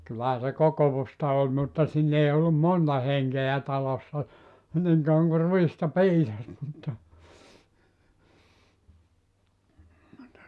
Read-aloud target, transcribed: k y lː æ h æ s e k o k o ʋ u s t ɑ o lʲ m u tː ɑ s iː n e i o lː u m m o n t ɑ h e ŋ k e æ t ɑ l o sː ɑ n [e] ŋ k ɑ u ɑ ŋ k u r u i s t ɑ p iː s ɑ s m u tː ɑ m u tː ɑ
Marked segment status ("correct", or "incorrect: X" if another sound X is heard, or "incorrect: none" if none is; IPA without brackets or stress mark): incorrect: i